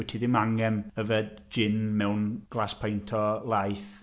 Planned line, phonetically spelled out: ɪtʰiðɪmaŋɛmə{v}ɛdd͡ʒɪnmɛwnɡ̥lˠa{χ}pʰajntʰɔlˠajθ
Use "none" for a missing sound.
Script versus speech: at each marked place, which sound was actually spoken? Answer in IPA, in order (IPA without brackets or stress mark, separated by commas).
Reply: v, s